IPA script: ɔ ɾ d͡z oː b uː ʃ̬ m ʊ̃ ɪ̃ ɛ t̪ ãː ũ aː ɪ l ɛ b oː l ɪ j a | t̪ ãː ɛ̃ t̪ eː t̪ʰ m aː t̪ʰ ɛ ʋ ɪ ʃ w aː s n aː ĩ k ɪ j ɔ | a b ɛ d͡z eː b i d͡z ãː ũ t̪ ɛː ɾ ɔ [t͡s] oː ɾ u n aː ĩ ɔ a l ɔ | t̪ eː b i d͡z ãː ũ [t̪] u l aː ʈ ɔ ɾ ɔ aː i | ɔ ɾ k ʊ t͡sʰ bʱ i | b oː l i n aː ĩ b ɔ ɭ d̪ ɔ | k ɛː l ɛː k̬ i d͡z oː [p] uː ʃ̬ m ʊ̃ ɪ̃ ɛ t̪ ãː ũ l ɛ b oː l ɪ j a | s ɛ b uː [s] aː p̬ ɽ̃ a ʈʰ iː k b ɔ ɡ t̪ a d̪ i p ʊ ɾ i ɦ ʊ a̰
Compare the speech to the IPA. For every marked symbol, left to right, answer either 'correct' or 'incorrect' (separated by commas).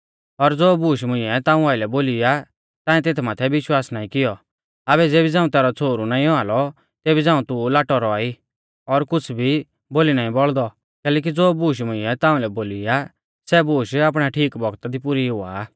incorrect, correct, incorrect, incorrect